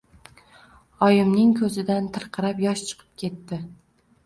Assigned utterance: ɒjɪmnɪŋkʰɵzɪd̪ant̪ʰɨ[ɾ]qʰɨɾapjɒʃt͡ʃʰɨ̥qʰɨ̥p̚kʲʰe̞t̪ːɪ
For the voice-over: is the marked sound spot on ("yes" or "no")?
yes